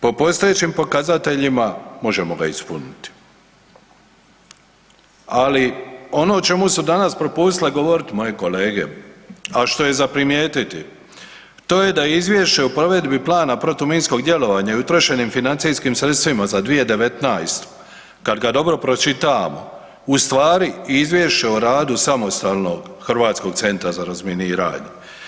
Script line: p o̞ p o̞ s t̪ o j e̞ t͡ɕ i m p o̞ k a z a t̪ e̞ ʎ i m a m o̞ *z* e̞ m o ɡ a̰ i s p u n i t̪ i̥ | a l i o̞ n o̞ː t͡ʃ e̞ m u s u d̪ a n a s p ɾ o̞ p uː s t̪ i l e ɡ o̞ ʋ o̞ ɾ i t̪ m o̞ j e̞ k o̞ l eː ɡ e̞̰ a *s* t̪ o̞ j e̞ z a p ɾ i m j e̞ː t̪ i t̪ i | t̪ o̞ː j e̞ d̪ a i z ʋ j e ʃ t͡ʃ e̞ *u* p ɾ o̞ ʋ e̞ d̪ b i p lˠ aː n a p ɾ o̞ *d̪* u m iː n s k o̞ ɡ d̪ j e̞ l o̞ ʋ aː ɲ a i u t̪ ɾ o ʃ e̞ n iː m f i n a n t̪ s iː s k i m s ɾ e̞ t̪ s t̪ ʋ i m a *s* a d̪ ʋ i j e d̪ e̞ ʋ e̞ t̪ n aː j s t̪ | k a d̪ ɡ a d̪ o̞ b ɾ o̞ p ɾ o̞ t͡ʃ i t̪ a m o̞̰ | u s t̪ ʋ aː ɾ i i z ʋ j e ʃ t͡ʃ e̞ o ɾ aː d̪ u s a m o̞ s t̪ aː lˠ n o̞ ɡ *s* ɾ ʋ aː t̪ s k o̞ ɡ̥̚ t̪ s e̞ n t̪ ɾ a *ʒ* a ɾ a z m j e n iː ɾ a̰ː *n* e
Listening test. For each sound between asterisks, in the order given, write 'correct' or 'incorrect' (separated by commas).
incorrect, incorrect, correct, incorrect, incorrect, incorrect, incorrect, incorrect